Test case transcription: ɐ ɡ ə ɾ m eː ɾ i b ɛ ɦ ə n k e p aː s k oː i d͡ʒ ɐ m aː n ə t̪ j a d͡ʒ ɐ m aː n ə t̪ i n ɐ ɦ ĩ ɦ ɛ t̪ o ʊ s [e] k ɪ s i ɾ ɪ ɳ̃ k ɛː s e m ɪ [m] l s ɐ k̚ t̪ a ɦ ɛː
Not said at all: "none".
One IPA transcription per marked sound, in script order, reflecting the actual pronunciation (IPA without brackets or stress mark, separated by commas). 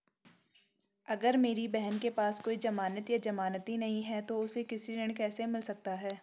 e, none